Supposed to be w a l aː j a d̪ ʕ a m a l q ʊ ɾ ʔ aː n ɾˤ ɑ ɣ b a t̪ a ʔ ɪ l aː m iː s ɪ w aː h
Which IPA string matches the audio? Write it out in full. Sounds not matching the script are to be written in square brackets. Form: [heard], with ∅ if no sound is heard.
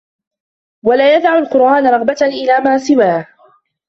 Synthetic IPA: w a l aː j a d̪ ʕ a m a l q ʊ ɾ ʔ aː n ɾˤ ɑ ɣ b a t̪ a ʔ ɪ l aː m [aː] s ɪ w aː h